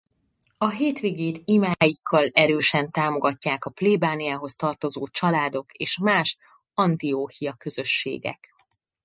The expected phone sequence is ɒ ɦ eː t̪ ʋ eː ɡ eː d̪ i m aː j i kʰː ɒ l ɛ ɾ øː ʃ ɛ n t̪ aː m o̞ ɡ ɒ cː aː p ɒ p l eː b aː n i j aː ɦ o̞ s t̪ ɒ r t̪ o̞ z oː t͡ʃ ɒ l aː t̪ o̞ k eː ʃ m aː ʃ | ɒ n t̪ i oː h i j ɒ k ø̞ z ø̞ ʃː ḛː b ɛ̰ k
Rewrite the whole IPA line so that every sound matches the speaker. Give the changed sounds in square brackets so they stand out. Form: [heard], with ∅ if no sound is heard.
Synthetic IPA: ɒ ɦ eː t̪ ʋ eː ɡ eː [t̪] i m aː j i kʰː ɒ l ɛ ɾ øː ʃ ɛ n t̪ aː m o̞ ɡ ɒ cː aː [k] ɒ p l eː b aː n i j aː ɦ o̞ s t̪ ɒ r t̪ o̞ z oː t͡ʃ ɒ l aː [d̪] o̞ k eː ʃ m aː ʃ | ɒ n t̪ i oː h i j ɒ k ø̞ z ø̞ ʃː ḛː [ɡ] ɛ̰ k